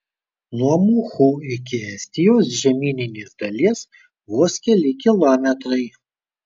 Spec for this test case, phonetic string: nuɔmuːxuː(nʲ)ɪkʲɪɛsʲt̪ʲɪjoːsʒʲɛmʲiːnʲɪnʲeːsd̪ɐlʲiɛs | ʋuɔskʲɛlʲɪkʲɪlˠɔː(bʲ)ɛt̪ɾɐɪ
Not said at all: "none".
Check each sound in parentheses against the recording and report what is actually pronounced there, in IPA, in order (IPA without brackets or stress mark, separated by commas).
none, mʲ